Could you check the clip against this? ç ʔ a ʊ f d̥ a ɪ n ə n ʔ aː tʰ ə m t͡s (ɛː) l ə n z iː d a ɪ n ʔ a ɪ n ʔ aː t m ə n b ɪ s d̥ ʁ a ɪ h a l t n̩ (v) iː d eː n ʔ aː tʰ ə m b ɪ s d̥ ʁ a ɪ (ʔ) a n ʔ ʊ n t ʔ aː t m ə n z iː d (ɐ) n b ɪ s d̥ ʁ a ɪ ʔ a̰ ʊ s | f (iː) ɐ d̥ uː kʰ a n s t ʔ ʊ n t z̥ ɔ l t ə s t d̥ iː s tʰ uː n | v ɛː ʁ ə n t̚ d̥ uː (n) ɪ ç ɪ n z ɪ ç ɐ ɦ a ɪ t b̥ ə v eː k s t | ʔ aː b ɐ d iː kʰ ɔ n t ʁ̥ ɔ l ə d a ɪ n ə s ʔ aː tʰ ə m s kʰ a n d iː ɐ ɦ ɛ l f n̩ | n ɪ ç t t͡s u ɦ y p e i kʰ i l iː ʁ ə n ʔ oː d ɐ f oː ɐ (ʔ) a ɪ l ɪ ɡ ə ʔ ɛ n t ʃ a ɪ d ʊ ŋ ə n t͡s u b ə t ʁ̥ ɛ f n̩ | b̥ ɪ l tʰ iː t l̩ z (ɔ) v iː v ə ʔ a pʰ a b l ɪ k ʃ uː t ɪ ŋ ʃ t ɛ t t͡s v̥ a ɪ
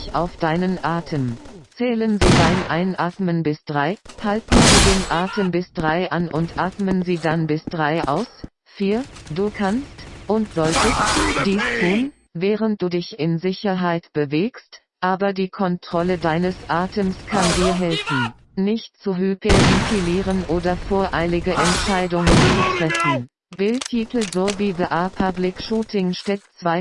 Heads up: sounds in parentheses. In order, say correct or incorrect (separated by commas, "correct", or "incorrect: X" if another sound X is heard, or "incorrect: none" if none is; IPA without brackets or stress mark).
correct, incorrect: z, correct, incorrect: a, correct, incorrect: d, correct, incorrect: o